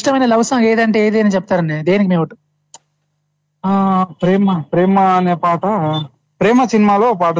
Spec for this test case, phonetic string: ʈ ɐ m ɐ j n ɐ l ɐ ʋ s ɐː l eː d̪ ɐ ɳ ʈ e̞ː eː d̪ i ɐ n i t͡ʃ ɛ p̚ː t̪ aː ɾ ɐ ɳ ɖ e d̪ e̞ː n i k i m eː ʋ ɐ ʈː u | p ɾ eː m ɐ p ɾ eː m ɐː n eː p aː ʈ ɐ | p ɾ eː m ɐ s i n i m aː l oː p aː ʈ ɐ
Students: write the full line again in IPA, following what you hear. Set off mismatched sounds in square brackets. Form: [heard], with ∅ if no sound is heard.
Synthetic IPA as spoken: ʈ ɐ m ɐ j n ɐ l ɐ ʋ s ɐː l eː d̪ ɐ ɳ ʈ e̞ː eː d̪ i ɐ n i t͡ʃ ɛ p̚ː t̪ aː ɾ ɐ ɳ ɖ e d̪ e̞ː n i k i m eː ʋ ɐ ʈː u | p ɾ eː m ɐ p ɾ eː m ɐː n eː p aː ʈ ɐ | p ɾ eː m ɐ s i n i m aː l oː p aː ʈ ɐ